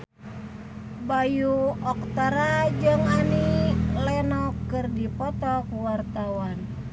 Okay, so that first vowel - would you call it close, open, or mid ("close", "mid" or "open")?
open